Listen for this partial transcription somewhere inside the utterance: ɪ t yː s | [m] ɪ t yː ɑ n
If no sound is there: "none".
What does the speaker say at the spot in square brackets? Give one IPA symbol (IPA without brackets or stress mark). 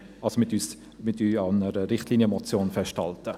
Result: m